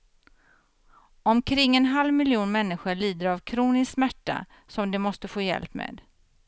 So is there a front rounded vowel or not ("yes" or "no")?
no